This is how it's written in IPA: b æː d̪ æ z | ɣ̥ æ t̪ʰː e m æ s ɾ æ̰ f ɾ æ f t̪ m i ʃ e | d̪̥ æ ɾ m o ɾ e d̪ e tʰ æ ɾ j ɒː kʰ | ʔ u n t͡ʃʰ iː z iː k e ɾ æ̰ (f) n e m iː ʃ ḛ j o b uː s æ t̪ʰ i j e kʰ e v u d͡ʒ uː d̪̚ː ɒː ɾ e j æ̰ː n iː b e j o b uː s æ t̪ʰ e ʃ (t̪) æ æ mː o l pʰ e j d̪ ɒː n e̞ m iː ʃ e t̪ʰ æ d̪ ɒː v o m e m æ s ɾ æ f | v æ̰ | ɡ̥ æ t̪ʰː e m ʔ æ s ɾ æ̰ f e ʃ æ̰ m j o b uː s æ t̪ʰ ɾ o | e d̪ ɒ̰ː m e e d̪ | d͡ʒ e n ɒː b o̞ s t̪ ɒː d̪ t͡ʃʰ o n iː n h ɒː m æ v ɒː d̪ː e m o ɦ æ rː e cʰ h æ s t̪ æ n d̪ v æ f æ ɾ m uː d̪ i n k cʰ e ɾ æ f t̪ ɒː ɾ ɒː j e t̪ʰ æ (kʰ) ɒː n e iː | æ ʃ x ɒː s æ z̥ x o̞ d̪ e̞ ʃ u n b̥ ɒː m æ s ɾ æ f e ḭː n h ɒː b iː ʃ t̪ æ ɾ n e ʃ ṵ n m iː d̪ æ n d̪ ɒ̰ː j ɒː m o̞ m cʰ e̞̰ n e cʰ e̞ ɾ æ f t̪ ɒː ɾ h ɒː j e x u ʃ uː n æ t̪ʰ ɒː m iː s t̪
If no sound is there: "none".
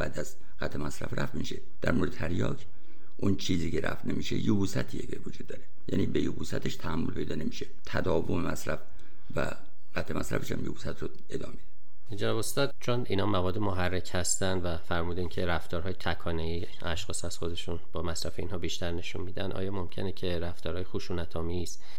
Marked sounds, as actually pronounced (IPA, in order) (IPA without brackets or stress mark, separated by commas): f, t̪ʰ, kʰ